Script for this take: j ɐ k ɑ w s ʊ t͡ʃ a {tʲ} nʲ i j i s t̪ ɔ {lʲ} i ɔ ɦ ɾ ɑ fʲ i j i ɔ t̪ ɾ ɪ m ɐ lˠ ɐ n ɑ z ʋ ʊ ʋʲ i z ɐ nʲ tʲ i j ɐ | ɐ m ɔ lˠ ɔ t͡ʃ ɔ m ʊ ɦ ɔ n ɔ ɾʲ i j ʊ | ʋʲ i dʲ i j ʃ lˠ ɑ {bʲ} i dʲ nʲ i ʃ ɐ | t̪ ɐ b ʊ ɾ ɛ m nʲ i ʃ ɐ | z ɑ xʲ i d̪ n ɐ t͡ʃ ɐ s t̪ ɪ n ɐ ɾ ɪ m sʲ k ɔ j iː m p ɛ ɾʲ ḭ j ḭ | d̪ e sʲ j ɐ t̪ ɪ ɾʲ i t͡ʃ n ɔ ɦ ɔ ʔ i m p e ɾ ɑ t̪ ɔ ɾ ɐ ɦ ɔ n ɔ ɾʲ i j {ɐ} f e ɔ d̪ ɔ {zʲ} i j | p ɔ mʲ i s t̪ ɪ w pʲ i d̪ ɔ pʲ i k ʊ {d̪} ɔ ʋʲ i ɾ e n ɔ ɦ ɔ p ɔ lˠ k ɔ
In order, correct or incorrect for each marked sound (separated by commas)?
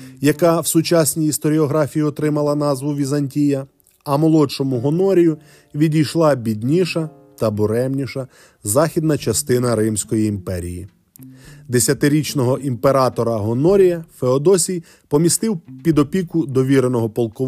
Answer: incorrect, incorrect, correct, correct, incorrect, correct